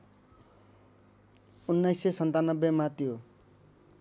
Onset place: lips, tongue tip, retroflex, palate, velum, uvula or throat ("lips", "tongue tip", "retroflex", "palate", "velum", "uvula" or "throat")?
tongue tip